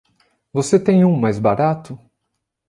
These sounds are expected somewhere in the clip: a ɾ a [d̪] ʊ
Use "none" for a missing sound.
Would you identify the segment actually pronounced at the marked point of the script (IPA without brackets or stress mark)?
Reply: t̪